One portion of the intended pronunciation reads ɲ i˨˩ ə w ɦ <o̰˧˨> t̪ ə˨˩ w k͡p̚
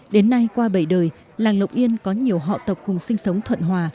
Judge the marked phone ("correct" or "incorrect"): incorrect